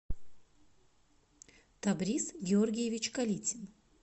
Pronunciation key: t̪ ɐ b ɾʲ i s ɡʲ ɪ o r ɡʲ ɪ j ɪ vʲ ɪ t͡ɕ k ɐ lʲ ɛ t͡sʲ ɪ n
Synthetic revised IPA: t̪ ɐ b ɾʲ i s ɡʲ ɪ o r ɡʲ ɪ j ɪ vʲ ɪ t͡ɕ k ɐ lʲ i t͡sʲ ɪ n